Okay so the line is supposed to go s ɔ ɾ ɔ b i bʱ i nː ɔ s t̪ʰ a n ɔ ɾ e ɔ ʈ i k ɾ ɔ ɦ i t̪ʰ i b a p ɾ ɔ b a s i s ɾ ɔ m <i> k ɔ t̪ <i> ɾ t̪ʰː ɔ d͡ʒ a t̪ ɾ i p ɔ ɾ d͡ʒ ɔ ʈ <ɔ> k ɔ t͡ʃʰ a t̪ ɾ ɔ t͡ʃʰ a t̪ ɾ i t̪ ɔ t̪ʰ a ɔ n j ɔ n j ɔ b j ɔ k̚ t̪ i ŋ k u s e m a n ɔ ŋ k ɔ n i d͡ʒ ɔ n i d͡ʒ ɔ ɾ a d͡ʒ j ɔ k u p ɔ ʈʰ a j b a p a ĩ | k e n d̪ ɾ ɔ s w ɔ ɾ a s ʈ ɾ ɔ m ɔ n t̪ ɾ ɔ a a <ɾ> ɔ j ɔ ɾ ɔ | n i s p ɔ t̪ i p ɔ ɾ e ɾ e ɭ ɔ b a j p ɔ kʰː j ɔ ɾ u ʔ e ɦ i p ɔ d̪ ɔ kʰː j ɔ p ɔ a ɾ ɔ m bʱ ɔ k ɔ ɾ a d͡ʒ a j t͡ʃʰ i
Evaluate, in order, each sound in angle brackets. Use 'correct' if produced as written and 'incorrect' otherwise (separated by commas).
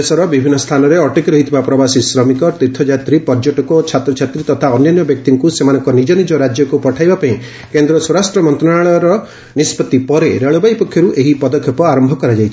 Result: correct, correct, correct, incorrect